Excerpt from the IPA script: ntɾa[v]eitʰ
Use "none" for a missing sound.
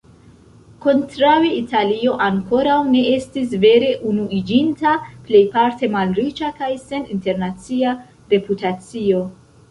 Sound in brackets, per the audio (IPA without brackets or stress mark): w